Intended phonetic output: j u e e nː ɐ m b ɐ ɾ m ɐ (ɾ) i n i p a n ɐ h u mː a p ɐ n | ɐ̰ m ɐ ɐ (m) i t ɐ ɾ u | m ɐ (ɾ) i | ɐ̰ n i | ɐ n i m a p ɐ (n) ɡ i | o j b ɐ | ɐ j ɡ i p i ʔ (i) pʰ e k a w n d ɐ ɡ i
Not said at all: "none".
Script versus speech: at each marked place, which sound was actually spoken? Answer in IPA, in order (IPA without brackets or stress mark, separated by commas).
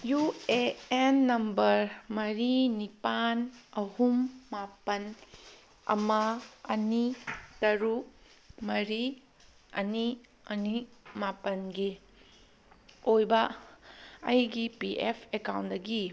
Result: ɾ, n, ɾ, n, e